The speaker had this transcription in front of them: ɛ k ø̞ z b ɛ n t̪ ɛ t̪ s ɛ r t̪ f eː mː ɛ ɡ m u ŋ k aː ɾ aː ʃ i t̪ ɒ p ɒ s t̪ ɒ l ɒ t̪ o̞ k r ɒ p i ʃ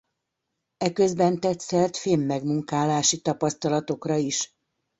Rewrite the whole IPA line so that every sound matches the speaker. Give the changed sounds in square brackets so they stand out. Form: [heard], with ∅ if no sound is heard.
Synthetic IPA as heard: ɛ k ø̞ z b ɛ n t̪ ɛ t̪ s ɛ r t̪ f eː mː ɛ ɡ m u ŋ k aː [l] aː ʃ i t̪ ɒ p ɒ s t̪ ɒ l ɒ t̪ o̞ k r ɒ [∅] i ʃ